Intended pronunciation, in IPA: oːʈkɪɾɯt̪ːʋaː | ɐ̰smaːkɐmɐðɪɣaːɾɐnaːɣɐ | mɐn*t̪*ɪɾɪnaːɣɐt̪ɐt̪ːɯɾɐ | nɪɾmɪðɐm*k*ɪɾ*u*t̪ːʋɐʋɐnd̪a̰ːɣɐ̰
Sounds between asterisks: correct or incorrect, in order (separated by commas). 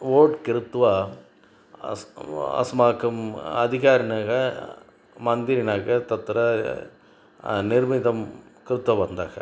incorrect, correct, incorrect